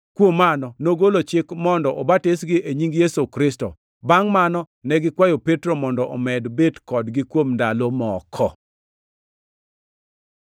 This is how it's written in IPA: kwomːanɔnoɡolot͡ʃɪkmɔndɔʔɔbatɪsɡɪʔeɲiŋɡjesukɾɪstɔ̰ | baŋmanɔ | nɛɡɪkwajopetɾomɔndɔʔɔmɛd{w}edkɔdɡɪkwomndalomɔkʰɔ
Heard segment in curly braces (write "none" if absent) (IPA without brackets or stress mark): b